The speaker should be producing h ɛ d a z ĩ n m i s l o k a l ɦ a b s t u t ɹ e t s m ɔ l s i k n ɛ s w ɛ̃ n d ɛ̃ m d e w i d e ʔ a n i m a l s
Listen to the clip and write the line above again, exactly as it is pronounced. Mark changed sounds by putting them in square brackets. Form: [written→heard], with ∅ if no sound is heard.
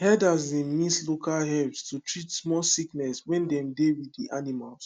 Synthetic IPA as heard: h ɛ d a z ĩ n m i s l o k a l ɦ [a→ɛ] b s t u t ɹ [e→i] t s m ɔ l s i k n ɛ s w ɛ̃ n d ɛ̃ m d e w i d [e→i] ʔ a n i m a l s